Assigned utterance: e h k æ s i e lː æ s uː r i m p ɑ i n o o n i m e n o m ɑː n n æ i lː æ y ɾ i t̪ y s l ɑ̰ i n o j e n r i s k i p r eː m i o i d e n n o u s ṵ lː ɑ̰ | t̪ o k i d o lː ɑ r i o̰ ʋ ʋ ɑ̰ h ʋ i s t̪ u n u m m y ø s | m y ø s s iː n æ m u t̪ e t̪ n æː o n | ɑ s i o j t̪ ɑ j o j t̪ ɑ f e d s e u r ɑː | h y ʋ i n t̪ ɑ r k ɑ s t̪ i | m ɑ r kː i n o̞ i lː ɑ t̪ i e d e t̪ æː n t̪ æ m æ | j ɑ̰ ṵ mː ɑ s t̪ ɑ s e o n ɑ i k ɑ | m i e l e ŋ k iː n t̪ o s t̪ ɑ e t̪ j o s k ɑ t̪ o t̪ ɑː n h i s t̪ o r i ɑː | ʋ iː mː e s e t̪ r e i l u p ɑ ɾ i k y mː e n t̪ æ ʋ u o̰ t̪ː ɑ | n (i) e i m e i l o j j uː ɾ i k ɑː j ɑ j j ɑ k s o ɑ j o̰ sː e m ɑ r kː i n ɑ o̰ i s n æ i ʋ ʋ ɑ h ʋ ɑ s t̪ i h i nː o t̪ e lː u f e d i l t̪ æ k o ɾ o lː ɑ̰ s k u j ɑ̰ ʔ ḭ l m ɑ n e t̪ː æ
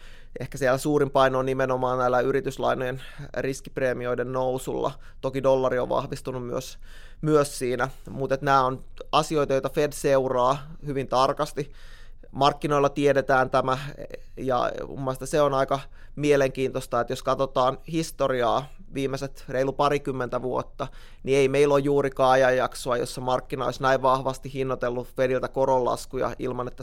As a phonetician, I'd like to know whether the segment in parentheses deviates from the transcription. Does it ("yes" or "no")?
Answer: no